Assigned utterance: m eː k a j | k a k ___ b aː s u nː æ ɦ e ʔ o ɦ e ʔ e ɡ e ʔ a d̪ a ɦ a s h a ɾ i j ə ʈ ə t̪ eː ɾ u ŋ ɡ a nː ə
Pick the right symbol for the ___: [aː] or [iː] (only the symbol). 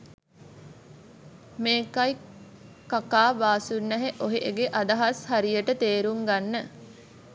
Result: aː